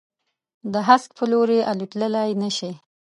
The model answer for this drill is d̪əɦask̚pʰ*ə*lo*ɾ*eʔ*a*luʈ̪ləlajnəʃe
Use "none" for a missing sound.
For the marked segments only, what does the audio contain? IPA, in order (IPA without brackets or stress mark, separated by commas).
ə, ɾ, a